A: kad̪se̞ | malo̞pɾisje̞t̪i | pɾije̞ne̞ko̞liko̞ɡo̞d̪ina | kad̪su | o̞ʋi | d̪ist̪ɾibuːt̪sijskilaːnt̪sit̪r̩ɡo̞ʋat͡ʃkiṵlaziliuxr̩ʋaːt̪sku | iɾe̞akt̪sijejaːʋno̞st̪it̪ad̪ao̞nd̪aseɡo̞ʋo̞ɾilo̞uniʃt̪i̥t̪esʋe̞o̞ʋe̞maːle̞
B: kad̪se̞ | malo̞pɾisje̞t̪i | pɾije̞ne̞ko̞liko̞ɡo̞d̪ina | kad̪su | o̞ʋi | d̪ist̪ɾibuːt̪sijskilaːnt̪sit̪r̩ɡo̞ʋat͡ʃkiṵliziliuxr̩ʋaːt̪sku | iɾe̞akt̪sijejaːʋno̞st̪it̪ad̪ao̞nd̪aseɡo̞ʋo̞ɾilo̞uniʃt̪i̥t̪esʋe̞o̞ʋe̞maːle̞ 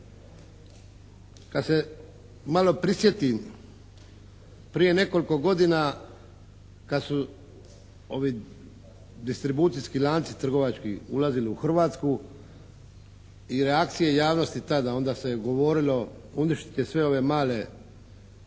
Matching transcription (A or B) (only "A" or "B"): A